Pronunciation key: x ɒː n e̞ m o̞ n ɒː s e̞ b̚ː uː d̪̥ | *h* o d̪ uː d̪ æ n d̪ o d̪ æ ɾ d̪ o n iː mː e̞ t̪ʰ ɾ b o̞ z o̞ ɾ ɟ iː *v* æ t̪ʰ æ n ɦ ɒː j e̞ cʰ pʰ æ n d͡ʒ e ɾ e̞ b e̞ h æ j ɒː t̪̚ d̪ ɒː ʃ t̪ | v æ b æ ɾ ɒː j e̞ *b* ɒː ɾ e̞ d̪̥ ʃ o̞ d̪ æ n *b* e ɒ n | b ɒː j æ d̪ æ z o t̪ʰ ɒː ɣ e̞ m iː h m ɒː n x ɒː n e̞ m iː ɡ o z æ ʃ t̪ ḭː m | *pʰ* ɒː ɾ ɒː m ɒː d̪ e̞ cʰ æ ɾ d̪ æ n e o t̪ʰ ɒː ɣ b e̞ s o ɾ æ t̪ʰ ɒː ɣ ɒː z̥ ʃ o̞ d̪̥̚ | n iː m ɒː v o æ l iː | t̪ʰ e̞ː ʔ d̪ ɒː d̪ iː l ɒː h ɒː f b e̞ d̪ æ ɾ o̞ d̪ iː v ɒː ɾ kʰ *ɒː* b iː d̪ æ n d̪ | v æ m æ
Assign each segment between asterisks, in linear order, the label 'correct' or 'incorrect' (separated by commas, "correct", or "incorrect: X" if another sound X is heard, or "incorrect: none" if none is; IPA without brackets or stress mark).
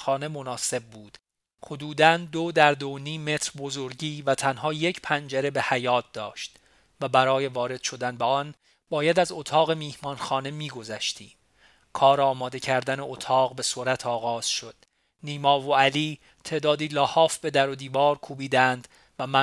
correct, correct, incorrect: v, correct, incorrect: kʰ, incorrect: uː